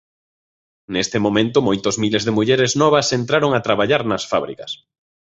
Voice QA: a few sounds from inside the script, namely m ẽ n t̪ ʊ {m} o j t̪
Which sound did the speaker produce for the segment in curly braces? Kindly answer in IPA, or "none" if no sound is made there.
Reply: m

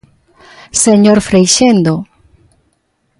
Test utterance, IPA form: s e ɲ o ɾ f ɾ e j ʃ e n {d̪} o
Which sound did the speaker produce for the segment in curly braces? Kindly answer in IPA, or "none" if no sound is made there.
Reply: d̪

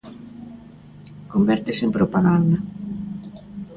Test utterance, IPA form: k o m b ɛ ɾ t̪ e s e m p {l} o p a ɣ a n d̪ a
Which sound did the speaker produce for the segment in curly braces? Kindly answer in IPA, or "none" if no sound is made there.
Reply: ɾ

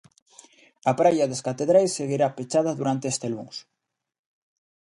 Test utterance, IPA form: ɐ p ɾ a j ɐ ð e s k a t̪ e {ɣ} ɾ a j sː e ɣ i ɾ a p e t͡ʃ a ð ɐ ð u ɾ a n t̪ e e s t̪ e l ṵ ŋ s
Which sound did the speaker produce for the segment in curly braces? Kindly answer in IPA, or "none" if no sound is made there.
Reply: ð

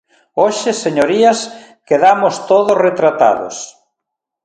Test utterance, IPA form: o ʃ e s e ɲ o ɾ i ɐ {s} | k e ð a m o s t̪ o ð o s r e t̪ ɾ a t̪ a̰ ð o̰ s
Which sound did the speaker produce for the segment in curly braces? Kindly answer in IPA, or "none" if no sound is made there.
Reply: s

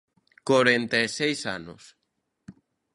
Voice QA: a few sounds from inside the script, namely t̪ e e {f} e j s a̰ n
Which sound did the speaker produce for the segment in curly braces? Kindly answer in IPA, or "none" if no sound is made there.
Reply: s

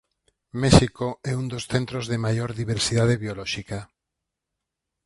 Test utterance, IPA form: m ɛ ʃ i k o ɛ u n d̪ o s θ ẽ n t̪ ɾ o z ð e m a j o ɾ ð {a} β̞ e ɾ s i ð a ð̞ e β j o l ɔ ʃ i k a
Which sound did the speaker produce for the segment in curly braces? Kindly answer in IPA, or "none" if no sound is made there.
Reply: i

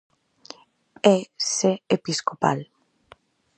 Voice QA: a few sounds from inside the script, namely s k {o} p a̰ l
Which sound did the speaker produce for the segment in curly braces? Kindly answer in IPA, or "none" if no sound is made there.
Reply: o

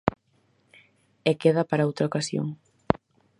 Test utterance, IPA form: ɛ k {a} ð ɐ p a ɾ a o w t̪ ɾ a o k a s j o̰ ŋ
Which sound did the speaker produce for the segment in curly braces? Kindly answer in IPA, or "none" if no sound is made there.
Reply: e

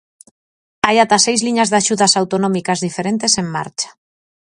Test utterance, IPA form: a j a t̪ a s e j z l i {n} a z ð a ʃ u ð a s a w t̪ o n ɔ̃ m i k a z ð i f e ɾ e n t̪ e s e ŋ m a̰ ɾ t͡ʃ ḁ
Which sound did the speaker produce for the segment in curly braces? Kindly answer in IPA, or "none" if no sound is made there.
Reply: ɲ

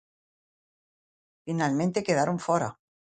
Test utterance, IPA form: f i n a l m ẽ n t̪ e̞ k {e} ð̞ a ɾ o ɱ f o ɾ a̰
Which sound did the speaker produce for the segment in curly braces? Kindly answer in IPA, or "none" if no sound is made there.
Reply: e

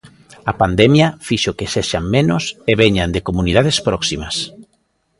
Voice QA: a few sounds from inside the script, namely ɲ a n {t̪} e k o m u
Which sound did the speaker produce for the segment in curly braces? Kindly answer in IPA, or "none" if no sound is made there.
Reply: d̪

